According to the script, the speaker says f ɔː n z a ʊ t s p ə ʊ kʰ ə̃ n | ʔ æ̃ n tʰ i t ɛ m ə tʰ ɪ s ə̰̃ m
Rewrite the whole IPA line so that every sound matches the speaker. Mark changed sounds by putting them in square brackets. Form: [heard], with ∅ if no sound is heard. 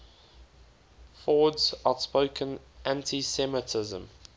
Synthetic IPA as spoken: f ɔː [d] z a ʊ t s p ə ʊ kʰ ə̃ n | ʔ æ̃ n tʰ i [s] ɛ m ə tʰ ɪ [z] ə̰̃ m